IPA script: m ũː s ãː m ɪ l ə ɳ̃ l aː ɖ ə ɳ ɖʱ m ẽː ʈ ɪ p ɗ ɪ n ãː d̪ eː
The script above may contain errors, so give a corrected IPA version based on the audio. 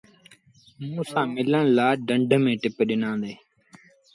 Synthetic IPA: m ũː s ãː m ɪ l ə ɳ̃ l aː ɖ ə ɳ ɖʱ m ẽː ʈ ɪ p ɗ ɪ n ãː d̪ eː